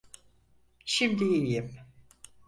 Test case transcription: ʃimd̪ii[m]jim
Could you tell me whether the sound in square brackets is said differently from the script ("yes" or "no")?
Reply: yes